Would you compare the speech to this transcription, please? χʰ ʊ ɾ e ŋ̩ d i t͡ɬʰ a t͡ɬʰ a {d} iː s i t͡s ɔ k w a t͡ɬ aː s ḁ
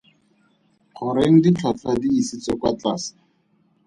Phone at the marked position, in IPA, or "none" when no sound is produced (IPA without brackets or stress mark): d